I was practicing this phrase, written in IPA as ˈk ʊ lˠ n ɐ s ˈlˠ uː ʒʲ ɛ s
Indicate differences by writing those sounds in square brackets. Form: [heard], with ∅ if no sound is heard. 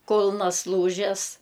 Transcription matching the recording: ˈk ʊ lˠ n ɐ s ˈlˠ uː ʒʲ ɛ s